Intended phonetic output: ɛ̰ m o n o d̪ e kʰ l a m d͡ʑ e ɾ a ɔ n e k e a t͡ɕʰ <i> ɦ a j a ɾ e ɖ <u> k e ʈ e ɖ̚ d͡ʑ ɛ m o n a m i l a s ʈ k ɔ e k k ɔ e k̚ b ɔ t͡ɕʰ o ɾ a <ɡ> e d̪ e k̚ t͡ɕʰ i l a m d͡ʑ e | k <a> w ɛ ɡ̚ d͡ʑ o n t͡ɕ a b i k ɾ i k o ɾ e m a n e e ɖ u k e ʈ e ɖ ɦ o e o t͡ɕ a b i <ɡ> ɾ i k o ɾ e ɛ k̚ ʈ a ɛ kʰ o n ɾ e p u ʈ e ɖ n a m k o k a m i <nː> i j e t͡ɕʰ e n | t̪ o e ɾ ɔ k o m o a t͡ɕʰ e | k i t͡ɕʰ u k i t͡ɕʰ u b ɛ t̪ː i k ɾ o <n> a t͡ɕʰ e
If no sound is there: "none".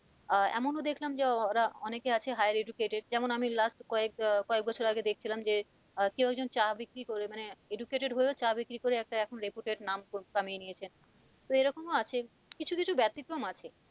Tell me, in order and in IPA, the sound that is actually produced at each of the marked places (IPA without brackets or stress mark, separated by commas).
e, u, ɡ, e, k, n, m